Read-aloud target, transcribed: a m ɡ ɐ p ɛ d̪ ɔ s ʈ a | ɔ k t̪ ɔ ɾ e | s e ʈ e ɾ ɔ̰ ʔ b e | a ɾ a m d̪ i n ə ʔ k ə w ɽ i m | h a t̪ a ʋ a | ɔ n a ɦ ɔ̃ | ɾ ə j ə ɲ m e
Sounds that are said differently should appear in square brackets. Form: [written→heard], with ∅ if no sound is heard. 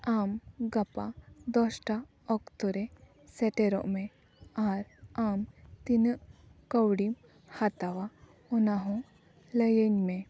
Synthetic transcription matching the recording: a m ɡ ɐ p [ɛ→a] d̪ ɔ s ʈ a | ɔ k t̪ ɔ ɾ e | s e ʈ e ɾ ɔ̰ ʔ [b→m] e | a ɾ a m [d̪→t̪] i n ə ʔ k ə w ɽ i m | h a t̪ a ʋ a | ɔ n a ɦ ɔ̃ | [ɾ→l] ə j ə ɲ m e